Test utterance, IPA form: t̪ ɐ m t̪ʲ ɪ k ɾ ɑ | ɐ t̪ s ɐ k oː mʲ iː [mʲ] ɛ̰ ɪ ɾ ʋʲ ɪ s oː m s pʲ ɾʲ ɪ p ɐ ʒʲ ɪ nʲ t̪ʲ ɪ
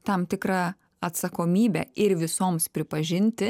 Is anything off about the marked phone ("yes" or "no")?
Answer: yes